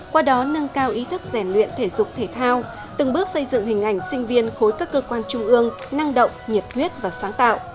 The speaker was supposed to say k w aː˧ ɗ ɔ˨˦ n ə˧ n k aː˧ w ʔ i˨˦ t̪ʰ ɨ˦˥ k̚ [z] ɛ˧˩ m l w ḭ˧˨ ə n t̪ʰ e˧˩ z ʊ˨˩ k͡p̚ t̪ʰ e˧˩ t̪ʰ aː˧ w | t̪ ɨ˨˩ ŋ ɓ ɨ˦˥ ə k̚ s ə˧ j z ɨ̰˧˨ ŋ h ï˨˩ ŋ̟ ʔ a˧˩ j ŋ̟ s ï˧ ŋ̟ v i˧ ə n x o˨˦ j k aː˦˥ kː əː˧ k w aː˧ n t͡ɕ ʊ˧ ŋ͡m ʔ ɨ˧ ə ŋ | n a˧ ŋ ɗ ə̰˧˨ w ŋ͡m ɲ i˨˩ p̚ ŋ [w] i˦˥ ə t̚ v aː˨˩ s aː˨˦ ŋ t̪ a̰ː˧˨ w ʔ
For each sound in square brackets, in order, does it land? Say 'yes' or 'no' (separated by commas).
yes, yes